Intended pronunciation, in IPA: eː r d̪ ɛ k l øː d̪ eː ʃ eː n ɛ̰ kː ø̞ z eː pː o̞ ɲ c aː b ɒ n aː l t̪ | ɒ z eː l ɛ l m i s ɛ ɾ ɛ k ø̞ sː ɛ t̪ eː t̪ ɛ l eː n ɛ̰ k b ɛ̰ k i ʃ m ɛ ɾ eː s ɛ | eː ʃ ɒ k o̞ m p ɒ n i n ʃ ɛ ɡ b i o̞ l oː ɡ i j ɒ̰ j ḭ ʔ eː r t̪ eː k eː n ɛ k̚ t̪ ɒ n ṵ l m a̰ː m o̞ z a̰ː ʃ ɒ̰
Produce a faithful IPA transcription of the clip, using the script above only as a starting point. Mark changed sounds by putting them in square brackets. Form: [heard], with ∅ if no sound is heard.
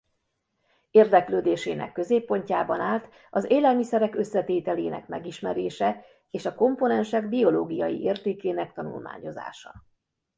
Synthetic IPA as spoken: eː r d̪ ɛ k l øː d̪ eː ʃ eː n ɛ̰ kː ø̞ z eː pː o̞ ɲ c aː b ɒ n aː l t̪ | ɒ z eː l ɛ l m i s ɛ ɾ ɛ k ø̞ sː ɛ t̪ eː t̪ ɛ l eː n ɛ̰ k [m] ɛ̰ [ɡ] i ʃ m ɛ ɾ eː [ʃ] ɛ | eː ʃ ɒ k o̞ m p [o] n [ɛ] n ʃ ɛ ɡ b i o̞ l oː ɡ i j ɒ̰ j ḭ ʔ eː r t̪ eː k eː n ɛ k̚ t̪ ɒ n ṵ l m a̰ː [ɲ] o̞ z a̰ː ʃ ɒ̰